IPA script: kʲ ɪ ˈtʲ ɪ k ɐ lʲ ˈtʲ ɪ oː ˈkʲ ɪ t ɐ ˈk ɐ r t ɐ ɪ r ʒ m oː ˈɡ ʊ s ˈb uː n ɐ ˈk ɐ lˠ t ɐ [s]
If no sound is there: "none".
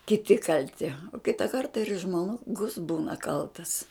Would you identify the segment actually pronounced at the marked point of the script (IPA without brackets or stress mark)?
s